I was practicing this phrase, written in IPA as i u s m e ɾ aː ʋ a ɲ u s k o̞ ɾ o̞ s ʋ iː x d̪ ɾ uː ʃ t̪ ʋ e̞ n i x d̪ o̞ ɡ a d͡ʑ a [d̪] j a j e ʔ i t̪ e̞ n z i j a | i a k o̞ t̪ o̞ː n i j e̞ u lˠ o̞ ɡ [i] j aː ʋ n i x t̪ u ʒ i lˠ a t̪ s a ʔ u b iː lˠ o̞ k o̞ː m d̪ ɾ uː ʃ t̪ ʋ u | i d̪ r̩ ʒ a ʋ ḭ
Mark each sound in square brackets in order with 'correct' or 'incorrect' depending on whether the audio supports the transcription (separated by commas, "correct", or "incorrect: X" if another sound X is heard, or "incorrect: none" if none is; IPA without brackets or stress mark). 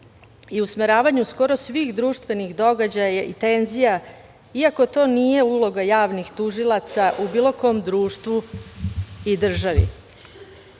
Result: incorrect: none, incorrect: a